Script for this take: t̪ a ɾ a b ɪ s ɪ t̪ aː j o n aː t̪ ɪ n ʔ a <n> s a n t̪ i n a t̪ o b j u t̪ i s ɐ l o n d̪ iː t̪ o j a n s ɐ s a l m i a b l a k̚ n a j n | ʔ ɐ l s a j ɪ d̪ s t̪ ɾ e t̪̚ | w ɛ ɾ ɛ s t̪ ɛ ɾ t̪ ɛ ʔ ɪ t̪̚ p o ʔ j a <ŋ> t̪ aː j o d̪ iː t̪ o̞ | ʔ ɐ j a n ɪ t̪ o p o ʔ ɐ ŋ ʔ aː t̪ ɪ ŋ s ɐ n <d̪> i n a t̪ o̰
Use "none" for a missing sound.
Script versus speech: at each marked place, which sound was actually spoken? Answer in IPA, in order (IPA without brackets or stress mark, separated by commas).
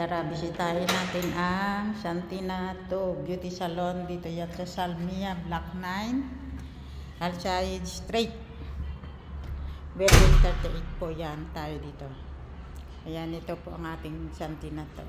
ŋ, n, t̪